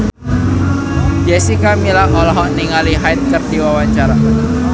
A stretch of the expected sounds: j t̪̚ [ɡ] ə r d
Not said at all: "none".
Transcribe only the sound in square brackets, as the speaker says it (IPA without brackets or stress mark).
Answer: k